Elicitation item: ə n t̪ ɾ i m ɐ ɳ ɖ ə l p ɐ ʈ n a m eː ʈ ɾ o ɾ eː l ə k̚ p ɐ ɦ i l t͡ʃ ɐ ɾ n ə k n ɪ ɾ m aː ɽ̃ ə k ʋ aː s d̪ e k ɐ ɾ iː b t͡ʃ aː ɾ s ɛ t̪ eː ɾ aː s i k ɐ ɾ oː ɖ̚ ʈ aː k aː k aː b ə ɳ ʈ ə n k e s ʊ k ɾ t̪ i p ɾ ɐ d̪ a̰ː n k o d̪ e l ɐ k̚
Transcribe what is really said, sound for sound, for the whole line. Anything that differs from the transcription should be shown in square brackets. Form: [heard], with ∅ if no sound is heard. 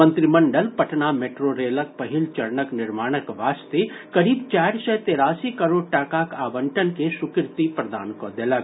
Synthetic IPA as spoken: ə n t̪ ɾ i m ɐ ɳ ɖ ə l p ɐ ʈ n a m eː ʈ ɾ o ɾ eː l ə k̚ p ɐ ɦ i l t͡ʃ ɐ ɾ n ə k n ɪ ɾ m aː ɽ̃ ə k ʋ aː s [t̪] e k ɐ ɾ iː b t͡ʃ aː ɾ s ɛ t̪ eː ɾ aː s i k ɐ ɾ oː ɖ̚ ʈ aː k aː k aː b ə ɳ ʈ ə n k e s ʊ k ɾ t̪ i p ɾ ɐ d̪ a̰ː n k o d̪ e l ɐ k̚